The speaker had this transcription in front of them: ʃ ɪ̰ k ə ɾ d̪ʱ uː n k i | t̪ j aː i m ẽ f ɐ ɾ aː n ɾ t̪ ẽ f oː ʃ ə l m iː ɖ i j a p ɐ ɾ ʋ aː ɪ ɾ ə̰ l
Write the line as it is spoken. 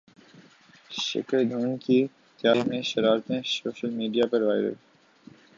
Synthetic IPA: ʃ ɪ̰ k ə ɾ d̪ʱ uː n k i | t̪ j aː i m ẽ ʃ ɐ ɾ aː ɾ t̪ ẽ s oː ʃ ə l m iː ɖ i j a p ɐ ɾ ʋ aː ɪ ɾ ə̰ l